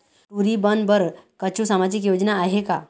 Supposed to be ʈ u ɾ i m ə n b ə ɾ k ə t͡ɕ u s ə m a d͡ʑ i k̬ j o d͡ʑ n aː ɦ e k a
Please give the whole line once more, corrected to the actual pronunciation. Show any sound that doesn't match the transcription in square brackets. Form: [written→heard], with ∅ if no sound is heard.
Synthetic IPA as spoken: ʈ u ɾ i [m→b] ə n b ə ɾ k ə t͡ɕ u s [ə→a] m a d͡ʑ i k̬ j o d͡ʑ n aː ɦ e k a